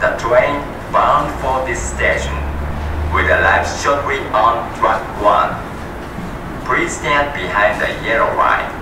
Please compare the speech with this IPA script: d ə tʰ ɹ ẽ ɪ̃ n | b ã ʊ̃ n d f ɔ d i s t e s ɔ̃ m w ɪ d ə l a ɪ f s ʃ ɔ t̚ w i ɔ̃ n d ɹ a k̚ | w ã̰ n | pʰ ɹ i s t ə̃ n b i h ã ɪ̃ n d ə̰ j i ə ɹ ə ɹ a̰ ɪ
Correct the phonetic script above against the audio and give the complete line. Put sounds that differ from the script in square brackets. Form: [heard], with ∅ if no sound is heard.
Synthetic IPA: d ə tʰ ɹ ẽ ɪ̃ n | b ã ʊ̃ n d f ɔ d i s t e [ʃ] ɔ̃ [n] w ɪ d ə l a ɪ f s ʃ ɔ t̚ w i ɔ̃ n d ɹ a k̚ | w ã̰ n | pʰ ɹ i s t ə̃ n b i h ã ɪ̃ n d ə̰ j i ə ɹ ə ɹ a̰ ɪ